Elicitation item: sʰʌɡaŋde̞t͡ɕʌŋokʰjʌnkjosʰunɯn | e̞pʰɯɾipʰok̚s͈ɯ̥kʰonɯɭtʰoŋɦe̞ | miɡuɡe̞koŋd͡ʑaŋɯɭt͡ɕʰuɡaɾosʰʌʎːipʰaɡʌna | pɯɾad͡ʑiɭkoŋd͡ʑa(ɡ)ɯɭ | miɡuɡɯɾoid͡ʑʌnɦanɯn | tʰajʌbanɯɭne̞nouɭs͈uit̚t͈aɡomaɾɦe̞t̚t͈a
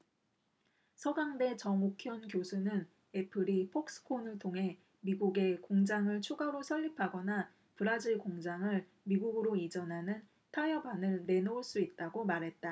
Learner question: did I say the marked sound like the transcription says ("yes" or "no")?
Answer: no